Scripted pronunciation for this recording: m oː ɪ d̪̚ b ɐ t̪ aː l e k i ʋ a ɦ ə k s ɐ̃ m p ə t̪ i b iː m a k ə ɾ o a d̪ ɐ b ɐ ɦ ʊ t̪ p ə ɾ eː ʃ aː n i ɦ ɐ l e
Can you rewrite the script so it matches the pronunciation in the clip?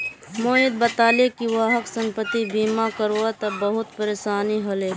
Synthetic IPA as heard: m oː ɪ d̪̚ b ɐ t̪ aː l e k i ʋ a ɦ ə k s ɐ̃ m p ə t̪ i b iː m a k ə ɾ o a t̪ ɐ b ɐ ɦ ʊ t̪ p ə ɾ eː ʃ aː n i ɦ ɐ l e